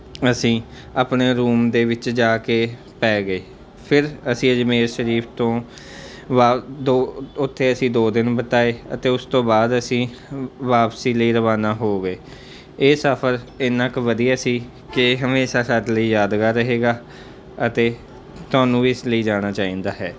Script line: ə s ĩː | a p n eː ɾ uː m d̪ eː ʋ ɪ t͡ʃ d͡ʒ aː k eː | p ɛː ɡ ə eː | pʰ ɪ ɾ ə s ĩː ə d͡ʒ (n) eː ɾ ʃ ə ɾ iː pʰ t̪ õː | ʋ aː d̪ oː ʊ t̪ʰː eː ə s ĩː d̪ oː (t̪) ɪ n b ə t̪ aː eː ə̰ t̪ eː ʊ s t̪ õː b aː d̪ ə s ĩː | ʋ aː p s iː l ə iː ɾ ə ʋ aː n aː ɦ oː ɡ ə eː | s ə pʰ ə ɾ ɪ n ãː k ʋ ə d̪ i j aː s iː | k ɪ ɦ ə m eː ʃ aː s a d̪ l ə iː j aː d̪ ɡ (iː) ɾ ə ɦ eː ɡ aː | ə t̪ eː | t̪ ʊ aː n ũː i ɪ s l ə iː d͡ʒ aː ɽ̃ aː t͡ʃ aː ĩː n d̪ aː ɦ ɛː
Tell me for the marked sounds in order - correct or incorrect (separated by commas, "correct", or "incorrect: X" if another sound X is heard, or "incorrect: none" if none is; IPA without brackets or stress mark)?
incorrect: m, incorrect: d̪, incorrect: aː